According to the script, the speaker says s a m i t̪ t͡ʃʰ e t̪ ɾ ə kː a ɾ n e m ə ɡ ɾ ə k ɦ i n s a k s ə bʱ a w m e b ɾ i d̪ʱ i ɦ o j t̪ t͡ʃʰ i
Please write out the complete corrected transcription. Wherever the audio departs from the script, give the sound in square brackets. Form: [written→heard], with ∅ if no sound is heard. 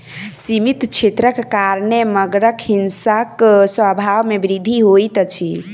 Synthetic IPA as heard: s [a→i] m i t̪ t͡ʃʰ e t̪ ɾ ə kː a ɾ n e m ə ɡ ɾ ə k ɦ i n s a k s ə bʱ a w m e b ɾ i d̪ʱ i ɦ o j t̪ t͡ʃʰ i